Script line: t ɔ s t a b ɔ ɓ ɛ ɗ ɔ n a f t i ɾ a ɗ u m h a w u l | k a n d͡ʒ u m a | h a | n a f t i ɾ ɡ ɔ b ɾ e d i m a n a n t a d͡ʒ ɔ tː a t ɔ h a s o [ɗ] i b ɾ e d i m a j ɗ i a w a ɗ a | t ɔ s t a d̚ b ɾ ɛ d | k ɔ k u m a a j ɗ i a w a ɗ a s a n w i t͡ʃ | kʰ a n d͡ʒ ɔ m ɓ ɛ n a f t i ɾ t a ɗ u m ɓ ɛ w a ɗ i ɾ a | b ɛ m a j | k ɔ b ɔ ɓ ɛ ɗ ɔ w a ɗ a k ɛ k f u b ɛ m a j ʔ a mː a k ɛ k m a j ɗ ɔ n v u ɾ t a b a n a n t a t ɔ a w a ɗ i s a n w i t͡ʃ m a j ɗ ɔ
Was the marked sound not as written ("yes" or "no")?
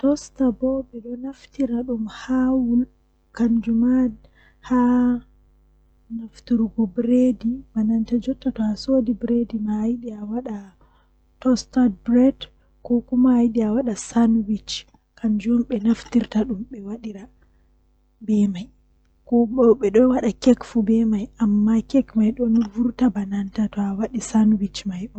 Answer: yes